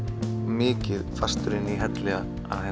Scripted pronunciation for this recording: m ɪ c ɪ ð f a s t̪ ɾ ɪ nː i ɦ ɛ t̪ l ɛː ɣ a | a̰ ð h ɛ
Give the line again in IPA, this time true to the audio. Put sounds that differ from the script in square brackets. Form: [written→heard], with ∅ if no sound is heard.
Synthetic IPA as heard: m [ɪ→ɪː] c ɪ ð f a s t̪ ɾ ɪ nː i ɦ ɛ t̪ l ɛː ɣ a | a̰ ð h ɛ

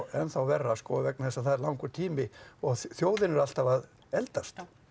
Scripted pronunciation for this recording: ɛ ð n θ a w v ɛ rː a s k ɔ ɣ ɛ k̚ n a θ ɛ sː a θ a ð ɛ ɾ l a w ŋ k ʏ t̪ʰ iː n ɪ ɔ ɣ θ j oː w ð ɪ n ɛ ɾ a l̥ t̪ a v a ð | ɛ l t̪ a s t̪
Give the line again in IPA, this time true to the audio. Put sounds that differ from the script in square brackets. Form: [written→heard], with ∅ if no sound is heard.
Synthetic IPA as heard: ɛ [ð→∅] n θ a w v ɛ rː a s k ɔ [ɣ→v] ɛ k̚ n a θ ɛ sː a θ a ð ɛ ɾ l a w ŋ k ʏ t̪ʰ iː [n→m] ɪ ɔ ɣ θ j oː w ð ɪ n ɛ ɾ a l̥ t̪ a v a ð | ɛ l t̪ a s t̪

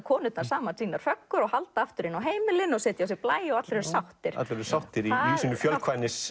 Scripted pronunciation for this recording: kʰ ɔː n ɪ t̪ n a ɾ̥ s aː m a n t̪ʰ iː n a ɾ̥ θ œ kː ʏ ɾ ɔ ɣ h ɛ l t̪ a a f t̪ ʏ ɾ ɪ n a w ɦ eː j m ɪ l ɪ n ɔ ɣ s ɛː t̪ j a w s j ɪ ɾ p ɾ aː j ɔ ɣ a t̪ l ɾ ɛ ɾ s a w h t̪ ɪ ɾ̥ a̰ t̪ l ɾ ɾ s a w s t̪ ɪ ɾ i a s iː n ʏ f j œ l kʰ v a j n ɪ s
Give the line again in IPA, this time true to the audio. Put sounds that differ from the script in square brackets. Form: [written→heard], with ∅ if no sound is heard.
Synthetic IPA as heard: kʰ ɔː n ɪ t̪ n a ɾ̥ s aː m a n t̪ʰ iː n a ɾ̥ [θ→f] œ kː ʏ ɾ ɔ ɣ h [ɛ→a] l t̪ a a f t̪ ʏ ɾ ɪ n a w ɦ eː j m ɪ l ɪ n ɔ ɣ s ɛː t̪ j a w s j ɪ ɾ p [ɾ→l] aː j ɔ ɣ a t̪ l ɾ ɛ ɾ s a w h t̪ ɪ ɾ̥ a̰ t̪ l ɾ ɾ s a w [s→h] t̪ ɪ ɾ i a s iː n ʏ f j œ l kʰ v a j n ɪ s

